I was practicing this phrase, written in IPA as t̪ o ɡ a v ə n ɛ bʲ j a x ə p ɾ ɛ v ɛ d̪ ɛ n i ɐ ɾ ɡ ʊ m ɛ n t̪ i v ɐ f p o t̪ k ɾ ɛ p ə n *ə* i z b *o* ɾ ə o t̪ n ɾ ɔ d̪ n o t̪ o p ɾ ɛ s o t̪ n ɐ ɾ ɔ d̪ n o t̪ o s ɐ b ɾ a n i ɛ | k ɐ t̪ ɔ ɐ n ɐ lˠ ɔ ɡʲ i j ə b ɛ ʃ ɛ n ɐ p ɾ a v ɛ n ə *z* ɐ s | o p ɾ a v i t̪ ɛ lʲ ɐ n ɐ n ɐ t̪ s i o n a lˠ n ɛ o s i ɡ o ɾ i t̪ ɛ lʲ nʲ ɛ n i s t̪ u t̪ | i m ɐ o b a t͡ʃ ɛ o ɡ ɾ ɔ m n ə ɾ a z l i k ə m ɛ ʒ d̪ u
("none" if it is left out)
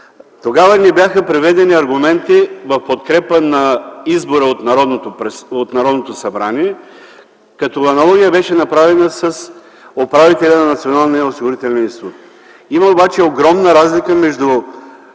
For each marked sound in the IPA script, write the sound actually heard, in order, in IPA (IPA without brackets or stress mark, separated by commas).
ɐ, o, s